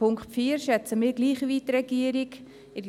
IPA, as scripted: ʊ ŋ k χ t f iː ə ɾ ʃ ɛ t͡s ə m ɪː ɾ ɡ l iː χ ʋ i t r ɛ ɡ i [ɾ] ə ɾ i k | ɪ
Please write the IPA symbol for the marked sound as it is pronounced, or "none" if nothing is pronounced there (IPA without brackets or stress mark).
none